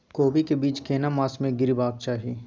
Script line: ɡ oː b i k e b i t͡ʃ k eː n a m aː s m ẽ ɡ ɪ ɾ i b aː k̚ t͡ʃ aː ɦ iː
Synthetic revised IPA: k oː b i k e b iː t͡ʃ k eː n a m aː s m ẽ ɡ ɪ ɾ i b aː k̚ t͡ʃ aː ɦ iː